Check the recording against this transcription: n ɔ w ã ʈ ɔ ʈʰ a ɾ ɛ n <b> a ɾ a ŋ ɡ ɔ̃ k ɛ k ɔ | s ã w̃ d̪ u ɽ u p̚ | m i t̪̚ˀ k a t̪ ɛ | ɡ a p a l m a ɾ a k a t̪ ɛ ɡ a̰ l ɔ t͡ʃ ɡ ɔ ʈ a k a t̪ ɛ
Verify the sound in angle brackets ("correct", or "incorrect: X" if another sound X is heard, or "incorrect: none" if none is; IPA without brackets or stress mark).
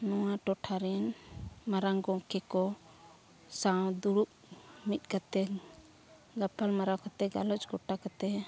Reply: incorrect: m